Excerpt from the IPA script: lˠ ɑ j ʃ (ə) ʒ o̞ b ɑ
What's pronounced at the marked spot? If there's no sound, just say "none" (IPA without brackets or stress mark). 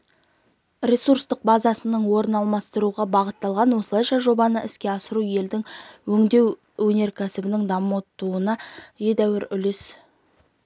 ɑ